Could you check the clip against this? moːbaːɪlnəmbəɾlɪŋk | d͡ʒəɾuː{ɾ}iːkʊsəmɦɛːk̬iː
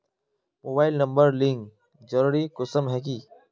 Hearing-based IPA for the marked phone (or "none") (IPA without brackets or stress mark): ɾ